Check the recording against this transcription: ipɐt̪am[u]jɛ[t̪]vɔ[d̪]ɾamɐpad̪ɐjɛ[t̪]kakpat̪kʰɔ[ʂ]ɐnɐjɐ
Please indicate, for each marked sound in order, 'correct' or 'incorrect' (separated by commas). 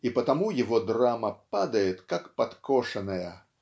correct, incorrect, correct, correct, correct